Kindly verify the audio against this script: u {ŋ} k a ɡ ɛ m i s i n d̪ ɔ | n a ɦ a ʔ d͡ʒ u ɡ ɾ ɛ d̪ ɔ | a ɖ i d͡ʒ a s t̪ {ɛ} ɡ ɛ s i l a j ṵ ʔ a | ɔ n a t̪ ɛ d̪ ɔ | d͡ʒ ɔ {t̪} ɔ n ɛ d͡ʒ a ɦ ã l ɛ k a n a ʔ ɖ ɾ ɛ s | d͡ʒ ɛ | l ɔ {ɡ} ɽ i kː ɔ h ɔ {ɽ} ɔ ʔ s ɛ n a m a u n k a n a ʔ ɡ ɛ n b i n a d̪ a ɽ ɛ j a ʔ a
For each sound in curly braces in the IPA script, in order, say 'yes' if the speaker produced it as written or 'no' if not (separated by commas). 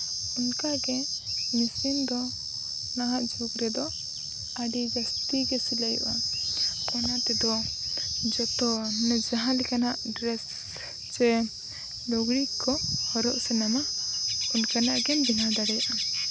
no, no, yes, yes, no